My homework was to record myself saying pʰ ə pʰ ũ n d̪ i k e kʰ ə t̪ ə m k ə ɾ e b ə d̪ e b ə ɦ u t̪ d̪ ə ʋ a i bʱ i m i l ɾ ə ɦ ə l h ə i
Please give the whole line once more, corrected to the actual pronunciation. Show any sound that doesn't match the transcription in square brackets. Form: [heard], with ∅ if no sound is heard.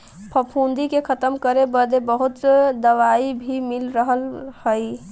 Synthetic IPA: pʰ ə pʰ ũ n d̪ i k e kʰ ə t̪ ə m k ə ɾ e b ə d̪ e b ə ɦ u t̪ d̪ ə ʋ a i bʱ i m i l ɾ ə ɦ ə l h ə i

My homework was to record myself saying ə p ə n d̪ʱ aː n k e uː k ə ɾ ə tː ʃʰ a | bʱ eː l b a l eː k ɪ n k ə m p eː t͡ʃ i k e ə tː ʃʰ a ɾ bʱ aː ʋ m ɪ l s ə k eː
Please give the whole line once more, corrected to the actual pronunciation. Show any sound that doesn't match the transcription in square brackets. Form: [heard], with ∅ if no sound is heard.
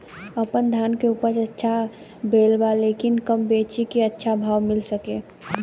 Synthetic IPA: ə p ə n d̪ʱ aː n k e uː [p] ə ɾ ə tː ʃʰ a | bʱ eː l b a l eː k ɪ n k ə m [b] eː t͡ʃ i k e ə tː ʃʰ a [∅] bʱ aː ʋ m ɪ l s ə k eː

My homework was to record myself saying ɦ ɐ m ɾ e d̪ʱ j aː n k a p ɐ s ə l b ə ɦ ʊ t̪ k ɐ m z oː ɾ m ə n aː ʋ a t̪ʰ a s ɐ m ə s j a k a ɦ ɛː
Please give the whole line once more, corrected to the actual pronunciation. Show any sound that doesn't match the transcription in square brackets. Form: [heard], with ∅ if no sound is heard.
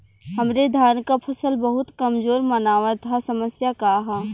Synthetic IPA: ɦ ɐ m ɾ e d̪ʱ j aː n k a [pʰ] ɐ s ə l b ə ɦ ʊ t̪ k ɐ m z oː ɾ m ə n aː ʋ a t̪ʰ a s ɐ m ə s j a k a ɦ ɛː

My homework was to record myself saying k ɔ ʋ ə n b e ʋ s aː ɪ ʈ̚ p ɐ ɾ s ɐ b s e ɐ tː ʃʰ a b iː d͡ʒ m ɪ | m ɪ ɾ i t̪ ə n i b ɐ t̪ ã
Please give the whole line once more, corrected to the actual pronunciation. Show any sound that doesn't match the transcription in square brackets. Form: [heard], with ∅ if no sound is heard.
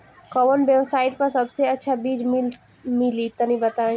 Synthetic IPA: k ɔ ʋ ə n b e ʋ s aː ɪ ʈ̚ p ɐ ɾ s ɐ b s e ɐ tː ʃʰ a b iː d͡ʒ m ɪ | m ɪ [l] i t̪ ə n i b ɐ t̪ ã

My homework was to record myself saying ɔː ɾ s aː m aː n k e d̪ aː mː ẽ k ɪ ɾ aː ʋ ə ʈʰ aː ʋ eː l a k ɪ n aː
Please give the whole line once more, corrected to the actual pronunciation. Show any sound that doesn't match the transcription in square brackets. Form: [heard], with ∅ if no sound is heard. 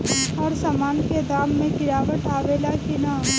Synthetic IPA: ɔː ɾ s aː m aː n k e d̪ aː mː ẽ k ɪ ɾ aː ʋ ə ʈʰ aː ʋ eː l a k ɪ n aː

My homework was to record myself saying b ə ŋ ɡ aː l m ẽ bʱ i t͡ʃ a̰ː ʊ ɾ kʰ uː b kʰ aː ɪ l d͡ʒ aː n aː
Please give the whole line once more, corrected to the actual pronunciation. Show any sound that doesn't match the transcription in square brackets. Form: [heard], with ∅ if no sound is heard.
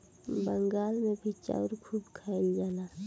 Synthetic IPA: b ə ŋ ɡ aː l m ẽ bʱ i t͡ʃ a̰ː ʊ ɾ kʰ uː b kʰ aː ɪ l d͡ʒ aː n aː

